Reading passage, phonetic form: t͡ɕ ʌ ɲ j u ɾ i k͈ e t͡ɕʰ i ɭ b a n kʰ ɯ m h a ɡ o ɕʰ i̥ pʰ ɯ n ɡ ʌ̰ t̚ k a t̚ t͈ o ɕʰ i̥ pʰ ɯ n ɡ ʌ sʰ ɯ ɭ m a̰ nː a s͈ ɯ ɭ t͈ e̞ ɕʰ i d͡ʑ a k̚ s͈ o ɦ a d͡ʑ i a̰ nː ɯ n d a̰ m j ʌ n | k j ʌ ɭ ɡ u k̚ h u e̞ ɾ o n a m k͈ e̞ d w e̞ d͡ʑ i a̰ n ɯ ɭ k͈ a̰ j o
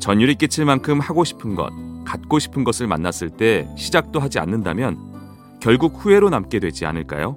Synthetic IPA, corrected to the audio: t͡ɕ ʌ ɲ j u ɾ i k͈ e t͡ɕʰ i ɭ m a n kʰ ɯ m h a ɡ o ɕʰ i̥ pʰ ɯ n ɡ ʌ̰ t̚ k a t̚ k͈ o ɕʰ i̥ pʰ ɯ n ɡ ʌ sʰ ɯ ɭ m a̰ nː a s͈ ɯ ɭ t͈ e̞ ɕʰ i d͡ʑ a k̚ t͈ o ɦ a d͡ʑ i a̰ nː ɯ n d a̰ m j ʌ n | k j ʌ ɭ ɡ u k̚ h u e̞ ɾ o n a m k͈ e̞ d w e̞ d͡ʑ i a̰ n ɯ ɭ k͈ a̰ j o